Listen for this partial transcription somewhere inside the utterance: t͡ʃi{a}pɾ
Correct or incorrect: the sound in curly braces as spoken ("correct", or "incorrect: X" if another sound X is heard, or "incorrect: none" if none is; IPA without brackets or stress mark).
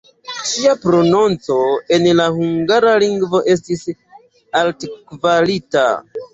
correct